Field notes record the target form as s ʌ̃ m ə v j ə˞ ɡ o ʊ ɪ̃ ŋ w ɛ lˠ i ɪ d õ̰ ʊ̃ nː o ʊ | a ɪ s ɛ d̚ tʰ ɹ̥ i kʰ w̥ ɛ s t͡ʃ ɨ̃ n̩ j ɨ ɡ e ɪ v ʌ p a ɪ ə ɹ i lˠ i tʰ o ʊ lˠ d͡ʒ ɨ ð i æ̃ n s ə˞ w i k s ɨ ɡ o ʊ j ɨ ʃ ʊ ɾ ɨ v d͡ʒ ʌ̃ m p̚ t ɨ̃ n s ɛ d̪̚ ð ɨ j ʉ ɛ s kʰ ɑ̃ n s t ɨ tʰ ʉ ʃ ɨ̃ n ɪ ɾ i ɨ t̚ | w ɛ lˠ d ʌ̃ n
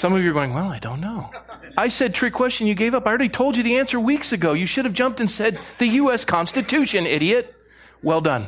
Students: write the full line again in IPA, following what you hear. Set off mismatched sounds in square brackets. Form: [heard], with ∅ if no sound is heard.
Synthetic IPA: s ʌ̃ m [ʌ] v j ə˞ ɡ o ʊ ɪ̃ ŋ w ɛ lˠ [a] ɪ d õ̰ ʊ̃ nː o ʊ | a ɪ s ɛ d̚ tʰ ɹ̥ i kʰ w̥ ɛ s t͡ʃ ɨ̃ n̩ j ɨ ɡ e ɪ v ʌ p a ɪ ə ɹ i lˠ i tʰ o ʊ lˠ d͡ʒ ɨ ð i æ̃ n s ə˞ w i k s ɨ ɡ o ʊ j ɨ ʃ ʊ ɾ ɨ v d͡ʒ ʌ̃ m p̚ t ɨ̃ n s ɛ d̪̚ ð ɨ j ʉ ɛ s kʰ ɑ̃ n s t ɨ tʰ ʉ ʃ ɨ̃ n ɪ ɾ i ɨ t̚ | w ɛ lˠ d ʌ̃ n